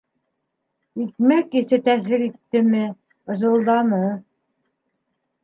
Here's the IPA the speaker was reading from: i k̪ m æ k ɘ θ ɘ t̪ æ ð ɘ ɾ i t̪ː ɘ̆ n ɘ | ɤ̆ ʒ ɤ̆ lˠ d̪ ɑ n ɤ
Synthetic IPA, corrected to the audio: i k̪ m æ k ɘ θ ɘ t̪ æ θ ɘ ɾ i t̪ː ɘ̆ m ɘ | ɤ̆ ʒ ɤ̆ lˠ d̪ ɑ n ɤ